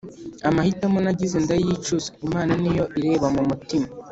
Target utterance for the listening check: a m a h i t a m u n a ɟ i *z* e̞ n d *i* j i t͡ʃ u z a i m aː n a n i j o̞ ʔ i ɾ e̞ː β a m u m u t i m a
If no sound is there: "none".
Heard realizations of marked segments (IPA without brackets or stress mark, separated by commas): z, a